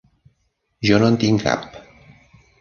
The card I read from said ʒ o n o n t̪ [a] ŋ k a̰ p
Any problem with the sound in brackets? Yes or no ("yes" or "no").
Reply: yes